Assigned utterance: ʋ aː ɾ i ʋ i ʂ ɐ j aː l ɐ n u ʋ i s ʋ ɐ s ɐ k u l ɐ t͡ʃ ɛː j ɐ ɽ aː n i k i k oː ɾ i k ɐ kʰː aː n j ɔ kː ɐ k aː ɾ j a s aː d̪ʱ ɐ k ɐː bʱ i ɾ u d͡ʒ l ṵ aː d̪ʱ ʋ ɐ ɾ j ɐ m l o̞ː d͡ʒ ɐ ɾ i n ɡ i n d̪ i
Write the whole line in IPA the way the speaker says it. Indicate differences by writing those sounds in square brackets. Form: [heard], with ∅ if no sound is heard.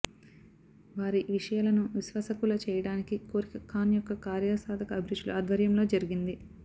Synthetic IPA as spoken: ʋ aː ɾ i ʋ i ʂ ɐ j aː l ɐ n u ʋ i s ʋ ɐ s ɐ k u l ɐ t͡ʃ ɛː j ɐ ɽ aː n i k i k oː ɾ i k ɐ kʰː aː n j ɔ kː ɐ k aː ɾ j a s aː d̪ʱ ɐ k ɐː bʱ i ɾ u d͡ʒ l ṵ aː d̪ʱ ʋ ɐ ɾ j ɐ m l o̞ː d͡ʒ ɐ ɾ i [∅] ɡ i n d̪ i